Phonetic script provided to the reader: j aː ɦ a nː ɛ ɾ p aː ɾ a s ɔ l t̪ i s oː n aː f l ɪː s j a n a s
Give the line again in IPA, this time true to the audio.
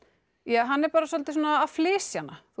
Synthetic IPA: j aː ɦ a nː ɛ ɾ p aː ɾ a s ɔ l t̪ ɪ s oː n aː f l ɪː s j a n a θ